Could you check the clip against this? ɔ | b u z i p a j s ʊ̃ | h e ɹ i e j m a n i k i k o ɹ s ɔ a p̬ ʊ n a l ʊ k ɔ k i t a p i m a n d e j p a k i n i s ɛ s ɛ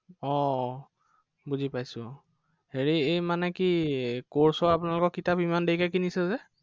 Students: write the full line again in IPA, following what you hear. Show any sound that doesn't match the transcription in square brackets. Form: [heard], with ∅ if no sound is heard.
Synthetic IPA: ɔ | b u z i p a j s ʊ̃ | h e ɹ i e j m a n [ɛ] k i k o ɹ s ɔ a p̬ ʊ n a l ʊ k ɔ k i t a p i m a n d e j [k] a k i n i s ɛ [z] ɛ